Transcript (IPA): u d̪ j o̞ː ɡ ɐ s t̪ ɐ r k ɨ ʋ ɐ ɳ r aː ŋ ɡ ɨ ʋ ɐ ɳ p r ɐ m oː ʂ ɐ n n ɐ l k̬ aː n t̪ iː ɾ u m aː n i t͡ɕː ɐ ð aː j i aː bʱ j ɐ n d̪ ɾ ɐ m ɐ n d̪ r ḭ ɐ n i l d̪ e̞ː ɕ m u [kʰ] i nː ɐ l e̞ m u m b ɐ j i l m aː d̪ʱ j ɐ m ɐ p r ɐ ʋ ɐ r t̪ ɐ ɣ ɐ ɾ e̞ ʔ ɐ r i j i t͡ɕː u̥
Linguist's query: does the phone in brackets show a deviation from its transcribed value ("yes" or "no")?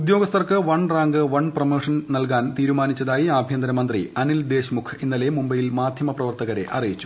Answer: no